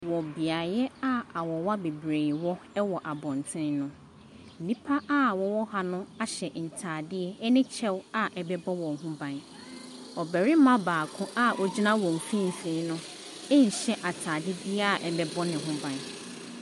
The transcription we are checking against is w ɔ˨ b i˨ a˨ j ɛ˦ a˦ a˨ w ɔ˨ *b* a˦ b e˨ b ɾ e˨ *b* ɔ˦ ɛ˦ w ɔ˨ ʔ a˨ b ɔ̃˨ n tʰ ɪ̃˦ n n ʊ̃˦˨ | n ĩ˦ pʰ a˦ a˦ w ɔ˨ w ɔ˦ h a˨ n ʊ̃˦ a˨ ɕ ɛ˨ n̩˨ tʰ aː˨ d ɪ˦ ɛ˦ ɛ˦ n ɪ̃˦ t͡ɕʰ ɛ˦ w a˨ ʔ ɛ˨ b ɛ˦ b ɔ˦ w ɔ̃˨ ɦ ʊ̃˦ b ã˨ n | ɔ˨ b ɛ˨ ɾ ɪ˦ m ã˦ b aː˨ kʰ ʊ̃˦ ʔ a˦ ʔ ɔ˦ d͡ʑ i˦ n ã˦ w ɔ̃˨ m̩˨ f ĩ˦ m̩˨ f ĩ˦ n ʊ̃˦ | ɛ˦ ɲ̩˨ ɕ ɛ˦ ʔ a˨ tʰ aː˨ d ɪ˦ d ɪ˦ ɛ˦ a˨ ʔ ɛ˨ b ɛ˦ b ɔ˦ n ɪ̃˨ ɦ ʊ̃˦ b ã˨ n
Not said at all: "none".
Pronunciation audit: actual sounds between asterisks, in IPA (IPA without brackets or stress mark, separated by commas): w, w